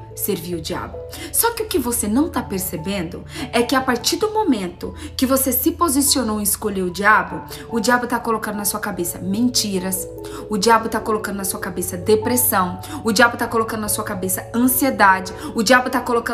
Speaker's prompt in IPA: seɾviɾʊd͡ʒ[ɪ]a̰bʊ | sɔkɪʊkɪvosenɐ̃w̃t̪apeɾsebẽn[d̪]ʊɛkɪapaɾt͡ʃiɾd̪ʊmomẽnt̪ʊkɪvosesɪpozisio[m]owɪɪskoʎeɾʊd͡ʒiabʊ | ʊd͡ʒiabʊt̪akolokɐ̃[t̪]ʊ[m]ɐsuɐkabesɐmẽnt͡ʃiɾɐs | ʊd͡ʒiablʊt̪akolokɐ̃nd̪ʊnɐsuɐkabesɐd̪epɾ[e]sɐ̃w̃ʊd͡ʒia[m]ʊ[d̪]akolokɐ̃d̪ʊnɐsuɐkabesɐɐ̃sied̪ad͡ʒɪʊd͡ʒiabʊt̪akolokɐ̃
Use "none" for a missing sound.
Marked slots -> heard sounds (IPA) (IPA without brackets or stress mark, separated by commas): i, d̪, n, d̪, n, e, b, t̪